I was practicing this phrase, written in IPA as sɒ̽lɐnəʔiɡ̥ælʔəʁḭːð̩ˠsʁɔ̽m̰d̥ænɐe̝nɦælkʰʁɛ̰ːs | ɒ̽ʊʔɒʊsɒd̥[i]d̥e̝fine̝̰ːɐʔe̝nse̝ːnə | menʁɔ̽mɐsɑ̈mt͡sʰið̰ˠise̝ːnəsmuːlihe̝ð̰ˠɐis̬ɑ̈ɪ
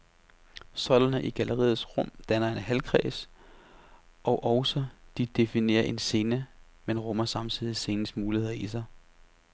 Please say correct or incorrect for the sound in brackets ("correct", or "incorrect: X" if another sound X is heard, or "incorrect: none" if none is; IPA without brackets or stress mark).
correct